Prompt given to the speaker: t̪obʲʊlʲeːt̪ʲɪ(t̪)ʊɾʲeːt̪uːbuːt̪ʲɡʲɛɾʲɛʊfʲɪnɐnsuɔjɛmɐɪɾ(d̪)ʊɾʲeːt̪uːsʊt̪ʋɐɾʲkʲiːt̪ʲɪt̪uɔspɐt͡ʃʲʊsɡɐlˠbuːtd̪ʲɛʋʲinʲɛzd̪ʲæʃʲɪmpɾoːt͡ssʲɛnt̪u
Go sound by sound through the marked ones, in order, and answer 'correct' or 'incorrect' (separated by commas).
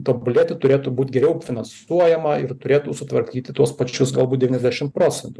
correct, incorrect